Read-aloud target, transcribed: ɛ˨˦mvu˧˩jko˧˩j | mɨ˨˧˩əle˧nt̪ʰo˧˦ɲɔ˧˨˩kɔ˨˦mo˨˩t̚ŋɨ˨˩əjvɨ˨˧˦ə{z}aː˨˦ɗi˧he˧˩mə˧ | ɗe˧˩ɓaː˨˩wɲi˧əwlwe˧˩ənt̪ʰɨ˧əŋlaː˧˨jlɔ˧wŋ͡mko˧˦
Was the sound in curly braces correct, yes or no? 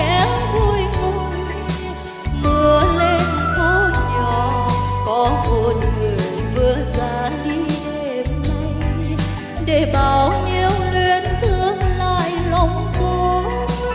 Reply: yes